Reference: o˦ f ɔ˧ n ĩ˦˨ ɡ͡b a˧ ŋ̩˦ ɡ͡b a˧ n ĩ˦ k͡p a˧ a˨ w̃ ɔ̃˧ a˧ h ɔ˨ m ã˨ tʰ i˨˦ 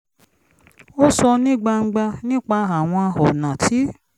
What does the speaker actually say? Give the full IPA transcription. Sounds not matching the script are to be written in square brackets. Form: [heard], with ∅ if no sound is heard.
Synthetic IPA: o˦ [s] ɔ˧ n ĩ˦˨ ɡ͡b a˧ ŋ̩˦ ɡ͡b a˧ n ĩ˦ k͡p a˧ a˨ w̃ ɔ̃˧ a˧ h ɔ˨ [n] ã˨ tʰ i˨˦